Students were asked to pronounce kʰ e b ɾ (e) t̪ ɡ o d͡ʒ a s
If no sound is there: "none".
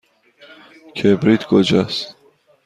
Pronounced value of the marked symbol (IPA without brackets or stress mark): i